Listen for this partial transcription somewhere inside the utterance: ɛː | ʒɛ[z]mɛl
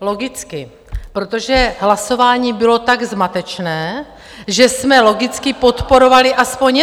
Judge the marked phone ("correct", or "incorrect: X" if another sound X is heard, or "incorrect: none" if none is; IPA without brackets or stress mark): incorrect: s